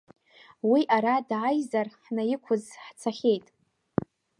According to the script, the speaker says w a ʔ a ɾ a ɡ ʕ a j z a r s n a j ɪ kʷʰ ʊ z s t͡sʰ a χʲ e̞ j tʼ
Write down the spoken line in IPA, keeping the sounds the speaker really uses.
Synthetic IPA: w i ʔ a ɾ a d ʕ a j z a r ħ n a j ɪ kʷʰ ʊ z ħ t͡sʰ a χʲ e̞ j tʼ